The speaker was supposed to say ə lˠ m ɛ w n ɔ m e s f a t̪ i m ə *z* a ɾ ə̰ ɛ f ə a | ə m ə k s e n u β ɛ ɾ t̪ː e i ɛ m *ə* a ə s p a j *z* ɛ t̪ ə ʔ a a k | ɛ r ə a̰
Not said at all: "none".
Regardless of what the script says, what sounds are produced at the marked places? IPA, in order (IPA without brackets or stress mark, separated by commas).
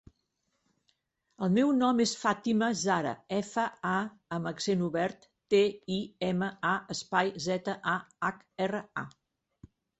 z, ə, z